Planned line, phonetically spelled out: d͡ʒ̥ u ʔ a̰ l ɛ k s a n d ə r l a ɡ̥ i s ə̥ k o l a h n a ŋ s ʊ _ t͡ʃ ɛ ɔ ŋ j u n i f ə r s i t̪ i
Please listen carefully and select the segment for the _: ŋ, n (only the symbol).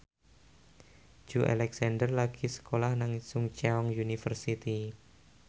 ŋ